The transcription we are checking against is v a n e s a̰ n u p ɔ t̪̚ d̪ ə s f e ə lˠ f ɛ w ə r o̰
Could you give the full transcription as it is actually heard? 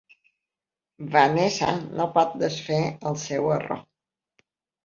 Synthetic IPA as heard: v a n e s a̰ n o p ɔ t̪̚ d̪ ə s f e ə lˠ s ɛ w ə r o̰